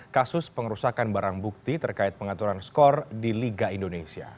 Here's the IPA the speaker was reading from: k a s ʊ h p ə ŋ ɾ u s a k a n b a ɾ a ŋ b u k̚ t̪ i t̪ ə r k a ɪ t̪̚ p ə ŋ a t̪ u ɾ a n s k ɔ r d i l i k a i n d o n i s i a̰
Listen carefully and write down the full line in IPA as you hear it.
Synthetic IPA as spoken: k a s ʊ s p ə ŋ ɾ u s a k a n b a ɾ a ŋ b u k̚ t̪ i t̪ ə r k a ɪ t̪̚ p ə ŋ a t̪ u ɾ a n s k ɔ r d i l i ɡ a i n d o n e s i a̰